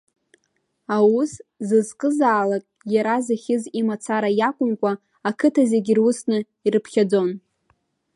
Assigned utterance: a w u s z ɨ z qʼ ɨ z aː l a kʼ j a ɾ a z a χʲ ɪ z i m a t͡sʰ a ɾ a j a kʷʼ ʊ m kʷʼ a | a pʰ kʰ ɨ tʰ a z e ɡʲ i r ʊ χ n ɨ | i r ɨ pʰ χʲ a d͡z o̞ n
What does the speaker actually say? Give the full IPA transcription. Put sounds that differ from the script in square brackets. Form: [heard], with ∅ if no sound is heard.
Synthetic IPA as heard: a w u s z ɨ z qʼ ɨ z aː l a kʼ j a ɾ a z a χʲ ɪ z i m a t͡sʰ a ɾ a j a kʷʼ ʊ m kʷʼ a | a [∅] kʰ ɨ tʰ a z e ɡʲ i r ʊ [s] n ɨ | i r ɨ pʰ χʲ a d͡z o̞ n

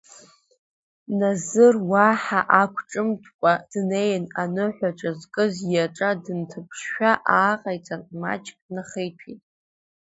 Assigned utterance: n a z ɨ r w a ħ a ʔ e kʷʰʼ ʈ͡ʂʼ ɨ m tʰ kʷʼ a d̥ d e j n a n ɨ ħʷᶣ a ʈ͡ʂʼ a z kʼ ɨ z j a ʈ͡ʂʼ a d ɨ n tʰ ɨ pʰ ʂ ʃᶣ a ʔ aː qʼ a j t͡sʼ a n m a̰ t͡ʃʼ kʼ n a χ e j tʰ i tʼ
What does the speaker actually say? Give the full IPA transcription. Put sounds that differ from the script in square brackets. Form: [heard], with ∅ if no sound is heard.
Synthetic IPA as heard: n a z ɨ r w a ħ a ʔ [a] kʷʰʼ ʈ͡ʂʼ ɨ m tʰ kʷʼ a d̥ [n] e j n a n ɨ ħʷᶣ a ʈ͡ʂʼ a z kʼ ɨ z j a ʈ͡ʂʼ a d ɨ n tʰ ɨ pʰ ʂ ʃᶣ a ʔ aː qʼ a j t͡sʼ a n m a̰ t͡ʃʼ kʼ n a χ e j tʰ i tʼ

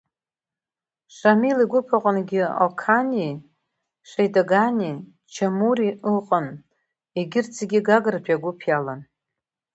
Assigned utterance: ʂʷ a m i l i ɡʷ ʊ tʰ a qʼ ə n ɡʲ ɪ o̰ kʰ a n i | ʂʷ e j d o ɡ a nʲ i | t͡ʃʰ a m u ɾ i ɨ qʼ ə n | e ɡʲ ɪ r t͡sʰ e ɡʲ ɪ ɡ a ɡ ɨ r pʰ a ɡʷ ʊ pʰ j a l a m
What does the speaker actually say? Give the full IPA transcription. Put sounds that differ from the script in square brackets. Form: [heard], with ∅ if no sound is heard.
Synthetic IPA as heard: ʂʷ a m i l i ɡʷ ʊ [pʰ] a qʼ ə n ɡʲ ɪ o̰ kʰ a n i | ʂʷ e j d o ɡ a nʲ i | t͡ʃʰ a m u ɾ i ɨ qʼ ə n | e ɡʲ ɪ r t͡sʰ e ɡʲ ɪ ɡ a ɡ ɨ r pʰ a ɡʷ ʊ pʰ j a l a [n]

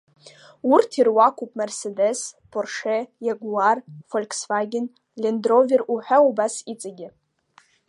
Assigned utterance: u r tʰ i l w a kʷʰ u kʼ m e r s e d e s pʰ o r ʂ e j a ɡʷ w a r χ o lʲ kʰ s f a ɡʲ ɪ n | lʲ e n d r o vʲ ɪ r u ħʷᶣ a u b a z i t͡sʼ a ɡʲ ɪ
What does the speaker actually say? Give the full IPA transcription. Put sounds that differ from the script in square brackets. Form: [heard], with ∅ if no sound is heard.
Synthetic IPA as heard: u r tʰ i [r] w a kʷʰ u [pʼ] m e r s e d e s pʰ o r ʂ e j a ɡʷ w a r [f] o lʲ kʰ s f a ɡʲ ɪ n | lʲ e n d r o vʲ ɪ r u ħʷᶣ a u b a [s] i t͡sʼ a ɡʲ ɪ

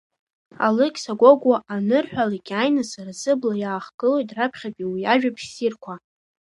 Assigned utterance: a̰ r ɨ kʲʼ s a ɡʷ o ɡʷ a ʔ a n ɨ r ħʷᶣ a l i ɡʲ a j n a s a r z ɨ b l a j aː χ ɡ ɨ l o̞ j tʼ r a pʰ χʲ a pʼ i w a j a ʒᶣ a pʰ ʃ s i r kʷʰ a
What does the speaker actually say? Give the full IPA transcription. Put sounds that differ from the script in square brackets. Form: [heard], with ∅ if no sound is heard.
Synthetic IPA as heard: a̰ [l] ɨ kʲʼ s a ɡʷ o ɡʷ a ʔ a n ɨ r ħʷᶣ a l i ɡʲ a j n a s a r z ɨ b l a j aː χ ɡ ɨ l o̞ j tʼ r a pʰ χʲ a pʼ i w [i] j a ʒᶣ a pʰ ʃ s i r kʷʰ a

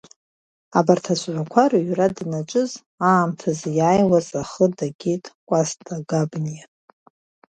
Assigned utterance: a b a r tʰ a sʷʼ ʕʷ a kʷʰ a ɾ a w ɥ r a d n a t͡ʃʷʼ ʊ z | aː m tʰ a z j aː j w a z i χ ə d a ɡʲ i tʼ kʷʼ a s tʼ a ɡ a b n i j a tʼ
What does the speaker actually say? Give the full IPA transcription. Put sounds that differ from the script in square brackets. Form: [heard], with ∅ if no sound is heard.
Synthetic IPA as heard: a b a r tʰ a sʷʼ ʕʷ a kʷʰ a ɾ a [∅] ɥ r a d n a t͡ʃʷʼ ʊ z | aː m tʰ a z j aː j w a z [a] χ ə d a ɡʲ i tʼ kʷʼ a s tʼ a ɡ a b n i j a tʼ

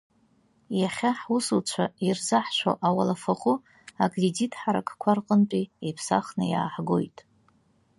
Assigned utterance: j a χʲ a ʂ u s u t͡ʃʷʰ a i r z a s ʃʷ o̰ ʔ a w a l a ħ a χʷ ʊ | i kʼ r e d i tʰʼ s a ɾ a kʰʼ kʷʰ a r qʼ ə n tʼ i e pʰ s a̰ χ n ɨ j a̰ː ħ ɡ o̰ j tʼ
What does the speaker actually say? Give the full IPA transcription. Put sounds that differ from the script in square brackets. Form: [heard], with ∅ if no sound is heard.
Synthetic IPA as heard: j a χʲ a [ħ] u s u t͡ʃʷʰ a i r z a [ħ] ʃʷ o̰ ʔ a w a l a [f] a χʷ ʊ | [a] kʼ r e d i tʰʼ [ħ] a ɾ a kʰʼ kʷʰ a r qʼ ə n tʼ i e pʰ s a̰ χ n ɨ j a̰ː ħ ɡ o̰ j tʼ

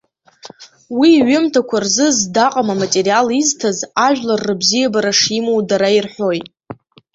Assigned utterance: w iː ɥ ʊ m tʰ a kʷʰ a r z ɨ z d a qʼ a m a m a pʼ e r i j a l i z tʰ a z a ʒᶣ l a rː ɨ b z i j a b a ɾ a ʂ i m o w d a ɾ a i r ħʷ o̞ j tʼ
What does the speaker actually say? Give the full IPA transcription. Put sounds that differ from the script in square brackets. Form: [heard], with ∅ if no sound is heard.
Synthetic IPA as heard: w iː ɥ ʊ m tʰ a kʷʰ a r z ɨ z d a qʼ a m a m a [tʼ] e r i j a l i z tʰ a z a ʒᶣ l a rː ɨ b z i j a b a ɾ a ʂ i m o w d a ɾ a i r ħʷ o̞ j tʼ

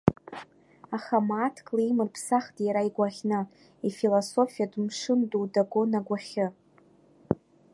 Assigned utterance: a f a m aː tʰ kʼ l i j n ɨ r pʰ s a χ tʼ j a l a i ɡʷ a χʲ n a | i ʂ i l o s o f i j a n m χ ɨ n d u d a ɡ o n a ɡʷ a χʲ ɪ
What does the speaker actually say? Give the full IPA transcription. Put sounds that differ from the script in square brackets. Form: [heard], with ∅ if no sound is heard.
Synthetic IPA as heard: a [χ] a m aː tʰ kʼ l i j [m] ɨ r pʰ s a χ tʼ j a [ɾ] a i ɡʷ a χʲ n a | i [f] i l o s o f i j a [d] m [ʂ] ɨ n d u d a ɡ o n a ɡʷ a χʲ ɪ

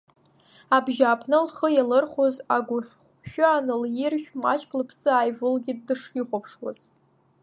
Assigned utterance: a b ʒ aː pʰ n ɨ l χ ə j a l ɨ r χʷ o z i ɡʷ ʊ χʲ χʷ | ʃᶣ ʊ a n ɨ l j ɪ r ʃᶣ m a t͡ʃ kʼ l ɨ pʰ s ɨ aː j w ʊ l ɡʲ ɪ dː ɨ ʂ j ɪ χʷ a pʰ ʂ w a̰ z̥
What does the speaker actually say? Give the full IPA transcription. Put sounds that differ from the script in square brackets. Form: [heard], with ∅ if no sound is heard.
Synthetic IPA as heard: a b ʒ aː pʰ n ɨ l χ ə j a l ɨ r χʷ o z [a] ɡʷ ʊ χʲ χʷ | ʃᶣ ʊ a n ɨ l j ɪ r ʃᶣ m a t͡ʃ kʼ l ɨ pʰ s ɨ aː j [v] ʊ l ɡʲ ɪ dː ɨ ʂ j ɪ χʷ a pʰ ʂ w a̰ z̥

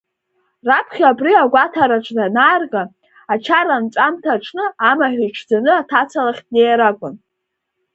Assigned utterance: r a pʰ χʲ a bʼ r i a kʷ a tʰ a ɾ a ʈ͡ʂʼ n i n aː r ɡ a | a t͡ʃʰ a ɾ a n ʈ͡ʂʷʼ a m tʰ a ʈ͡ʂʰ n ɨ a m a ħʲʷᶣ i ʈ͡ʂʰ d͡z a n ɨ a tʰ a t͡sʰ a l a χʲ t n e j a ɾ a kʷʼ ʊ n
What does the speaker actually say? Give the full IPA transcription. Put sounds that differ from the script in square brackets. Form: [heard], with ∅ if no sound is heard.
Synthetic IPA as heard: r a pʰ χʲ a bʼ r i a [ɡʷ] a tʰ a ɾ a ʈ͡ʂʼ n [a] n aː r ɡ a | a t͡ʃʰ a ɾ a n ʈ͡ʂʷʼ a m tʰ a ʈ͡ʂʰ n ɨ a m a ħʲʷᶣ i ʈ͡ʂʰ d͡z a n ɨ a tʰ a t͡sʰ a l a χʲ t n e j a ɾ a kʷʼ ʊ n

